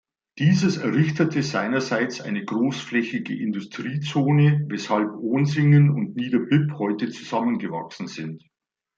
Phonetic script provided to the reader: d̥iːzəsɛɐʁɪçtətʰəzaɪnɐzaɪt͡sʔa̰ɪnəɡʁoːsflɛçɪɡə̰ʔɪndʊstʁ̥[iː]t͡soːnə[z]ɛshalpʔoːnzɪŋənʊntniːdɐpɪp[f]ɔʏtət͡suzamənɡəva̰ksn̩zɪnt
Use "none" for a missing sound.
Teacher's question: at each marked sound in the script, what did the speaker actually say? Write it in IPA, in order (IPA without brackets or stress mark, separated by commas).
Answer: iː, v, h